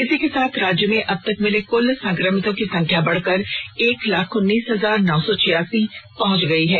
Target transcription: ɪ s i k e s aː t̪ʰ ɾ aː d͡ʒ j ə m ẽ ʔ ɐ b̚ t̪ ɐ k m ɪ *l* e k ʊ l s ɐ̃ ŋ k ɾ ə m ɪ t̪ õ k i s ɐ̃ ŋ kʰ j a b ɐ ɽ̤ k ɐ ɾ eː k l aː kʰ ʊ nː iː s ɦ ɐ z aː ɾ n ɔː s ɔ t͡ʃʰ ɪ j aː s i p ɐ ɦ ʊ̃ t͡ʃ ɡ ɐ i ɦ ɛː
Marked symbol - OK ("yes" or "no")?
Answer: yes